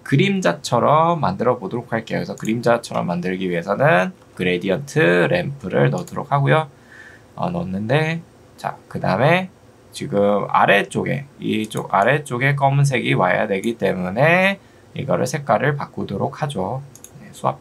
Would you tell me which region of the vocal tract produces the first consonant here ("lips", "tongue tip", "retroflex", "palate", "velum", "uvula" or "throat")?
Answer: velum